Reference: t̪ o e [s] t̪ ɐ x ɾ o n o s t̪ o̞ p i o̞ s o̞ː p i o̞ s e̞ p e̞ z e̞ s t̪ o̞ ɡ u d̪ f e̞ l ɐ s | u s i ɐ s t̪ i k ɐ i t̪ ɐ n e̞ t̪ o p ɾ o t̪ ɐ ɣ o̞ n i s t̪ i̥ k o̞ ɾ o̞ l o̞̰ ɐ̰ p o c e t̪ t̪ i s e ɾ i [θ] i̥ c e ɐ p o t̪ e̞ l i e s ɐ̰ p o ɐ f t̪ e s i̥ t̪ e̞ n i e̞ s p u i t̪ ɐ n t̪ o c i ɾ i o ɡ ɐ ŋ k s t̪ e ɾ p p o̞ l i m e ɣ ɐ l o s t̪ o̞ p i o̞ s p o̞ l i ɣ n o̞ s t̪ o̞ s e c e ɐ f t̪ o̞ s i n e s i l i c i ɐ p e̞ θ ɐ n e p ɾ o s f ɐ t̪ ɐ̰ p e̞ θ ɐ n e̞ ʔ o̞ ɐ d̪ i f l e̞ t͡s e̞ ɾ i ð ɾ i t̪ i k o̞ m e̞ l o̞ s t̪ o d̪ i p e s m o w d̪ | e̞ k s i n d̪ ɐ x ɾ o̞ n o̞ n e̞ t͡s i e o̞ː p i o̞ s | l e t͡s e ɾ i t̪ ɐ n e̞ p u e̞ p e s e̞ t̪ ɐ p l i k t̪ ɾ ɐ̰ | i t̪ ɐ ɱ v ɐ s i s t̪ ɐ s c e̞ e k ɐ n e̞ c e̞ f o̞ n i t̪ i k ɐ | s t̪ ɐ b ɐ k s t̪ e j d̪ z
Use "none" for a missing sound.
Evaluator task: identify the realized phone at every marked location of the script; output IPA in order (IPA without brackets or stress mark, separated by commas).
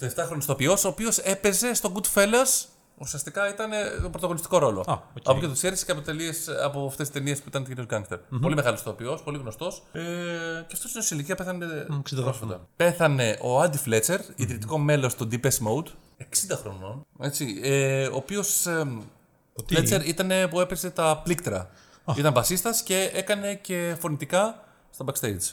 f, s